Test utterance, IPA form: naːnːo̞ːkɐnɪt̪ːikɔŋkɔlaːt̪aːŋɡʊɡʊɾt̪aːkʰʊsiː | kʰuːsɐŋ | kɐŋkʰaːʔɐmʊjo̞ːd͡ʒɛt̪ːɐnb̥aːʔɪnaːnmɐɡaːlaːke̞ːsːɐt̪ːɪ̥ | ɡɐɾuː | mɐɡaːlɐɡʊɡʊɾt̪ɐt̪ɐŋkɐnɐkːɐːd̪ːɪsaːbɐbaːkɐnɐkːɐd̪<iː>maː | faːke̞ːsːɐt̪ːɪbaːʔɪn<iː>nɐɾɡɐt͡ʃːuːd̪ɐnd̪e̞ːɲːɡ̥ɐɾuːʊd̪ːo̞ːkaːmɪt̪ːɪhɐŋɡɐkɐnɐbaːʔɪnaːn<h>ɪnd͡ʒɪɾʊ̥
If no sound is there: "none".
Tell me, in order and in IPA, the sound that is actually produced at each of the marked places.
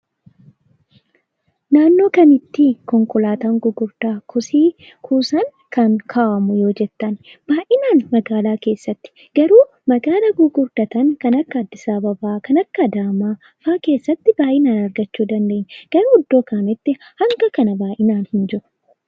aː, aː, h

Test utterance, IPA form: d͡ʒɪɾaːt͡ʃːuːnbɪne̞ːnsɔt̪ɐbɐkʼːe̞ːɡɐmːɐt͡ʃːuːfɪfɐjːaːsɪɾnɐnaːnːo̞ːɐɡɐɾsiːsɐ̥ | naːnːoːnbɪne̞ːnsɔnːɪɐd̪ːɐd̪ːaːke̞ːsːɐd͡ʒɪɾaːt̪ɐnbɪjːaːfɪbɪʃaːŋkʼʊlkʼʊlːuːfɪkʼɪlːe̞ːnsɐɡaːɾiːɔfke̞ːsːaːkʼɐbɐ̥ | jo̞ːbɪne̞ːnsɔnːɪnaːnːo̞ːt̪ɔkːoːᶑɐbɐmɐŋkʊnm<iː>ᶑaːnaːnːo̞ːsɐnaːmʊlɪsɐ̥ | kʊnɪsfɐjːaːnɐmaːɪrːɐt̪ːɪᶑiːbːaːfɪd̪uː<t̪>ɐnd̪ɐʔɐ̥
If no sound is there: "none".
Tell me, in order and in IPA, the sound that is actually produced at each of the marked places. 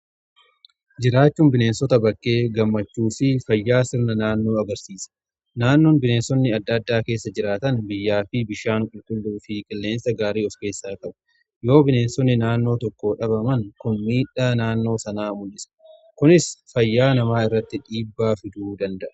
iː, d̪

